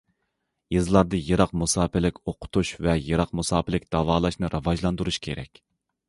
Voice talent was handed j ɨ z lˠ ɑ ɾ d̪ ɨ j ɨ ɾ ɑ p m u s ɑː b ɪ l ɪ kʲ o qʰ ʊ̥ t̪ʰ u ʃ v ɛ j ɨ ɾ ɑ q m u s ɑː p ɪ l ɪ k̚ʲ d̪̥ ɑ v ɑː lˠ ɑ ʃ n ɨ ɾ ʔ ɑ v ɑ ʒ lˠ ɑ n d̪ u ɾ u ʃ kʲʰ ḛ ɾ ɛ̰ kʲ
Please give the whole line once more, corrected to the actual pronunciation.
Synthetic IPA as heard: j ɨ z lˠ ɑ ɾ d̪ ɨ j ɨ ɾ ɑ q m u s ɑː p ɪ l ɪ kʲ o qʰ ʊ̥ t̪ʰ u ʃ v ɛ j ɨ ɾ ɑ q m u s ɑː p ɪ l ɪ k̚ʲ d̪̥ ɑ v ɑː lˠ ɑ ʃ n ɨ ɾ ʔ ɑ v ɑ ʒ lˠ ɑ n d̪ u ɾ u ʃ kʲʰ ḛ ɾ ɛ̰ kʲ